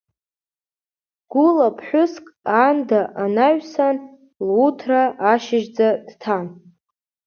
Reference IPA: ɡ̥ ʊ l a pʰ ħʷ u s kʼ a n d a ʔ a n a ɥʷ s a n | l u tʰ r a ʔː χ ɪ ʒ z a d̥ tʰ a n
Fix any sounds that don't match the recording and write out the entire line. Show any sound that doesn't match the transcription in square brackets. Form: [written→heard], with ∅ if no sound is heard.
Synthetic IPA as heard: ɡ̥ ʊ l a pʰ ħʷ [u→ʊ] s kʼ a n d a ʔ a n a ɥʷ s a n | l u tʰ r a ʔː [χ→ʃ] ɪ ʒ [z→d͡z] a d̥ tʰ a n